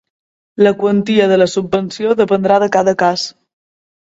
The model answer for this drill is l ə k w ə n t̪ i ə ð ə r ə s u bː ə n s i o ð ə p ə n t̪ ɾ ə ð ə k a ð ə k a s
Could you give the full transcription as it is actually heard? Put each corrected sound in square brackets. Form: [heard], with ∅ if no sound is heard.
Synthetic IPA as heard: l ə k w ə n t̪ i ə ð ə [l] ə s u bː ə n s i o ð ə p ə n [d̪] ɾ [a] ð ə k a ð ə k a s